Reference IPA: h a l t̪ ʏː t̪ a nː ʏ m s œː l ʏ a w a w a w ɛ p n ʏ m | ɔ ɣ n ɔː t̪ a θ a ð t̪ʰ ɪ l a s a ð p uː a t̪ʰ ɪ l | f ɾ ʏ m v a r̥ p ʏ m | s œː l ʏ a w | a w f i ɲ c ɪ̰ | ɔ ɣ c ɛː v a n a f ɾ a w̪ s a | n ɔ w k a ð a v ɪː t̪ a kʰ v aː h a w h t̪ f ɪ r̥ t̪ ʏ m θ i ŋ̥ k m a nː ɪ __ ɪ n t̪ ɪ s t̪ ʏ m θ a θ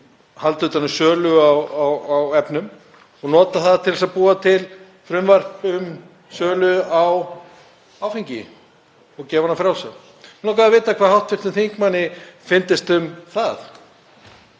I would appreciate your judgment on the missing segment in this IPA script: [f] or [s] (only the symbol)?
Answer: f